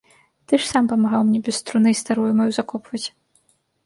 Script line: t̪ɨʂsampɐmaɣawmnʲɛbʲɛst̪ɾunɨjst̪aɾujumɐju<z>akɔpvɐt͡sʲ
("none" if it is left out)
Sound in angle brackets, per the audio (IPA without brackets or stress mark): z